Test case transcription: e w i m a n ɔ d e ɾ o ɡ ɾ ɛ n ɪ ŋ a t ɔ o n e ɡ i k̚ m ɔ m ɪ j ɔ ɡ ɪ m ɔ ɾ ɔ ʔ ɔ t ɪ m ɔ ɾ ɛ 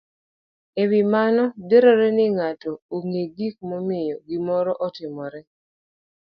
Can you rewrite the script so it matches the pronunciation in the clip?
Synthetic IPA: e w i m a n ɔ d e ɾ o ɾ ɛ n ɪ ŋ a t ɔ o ŋ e ɡ i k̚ m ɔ m ɪ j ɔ ɡ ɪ m ɔ ɾ ɔ ʔ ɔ t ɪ m ɔ ɾ ɛ